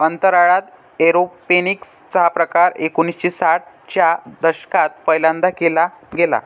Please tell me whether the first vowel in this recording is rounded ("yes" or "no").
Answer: no